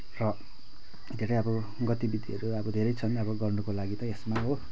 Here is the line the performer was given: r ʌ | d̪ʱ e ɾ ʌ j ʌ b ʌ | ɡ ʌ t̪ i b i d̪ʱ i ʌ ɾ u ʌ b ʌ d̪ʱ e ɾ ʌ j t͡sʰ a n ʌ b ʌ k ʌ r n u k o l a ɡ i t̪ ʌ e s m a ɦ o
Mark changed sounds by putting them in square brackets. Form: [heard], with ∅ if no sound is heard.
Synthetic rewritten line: r ʌ | d̪ʱ e ɾ ʌ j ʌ b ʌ | ɡ ʌ t̪ i b i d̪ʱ i ʌ ɾ u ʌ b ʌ d̪ʱ e ɾ ʌ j t͡sʰ [ʌ] n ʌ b ʌ [ɡ] ʌ r n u k o l a ɡ i t̪ ʌ e s m a ɦ o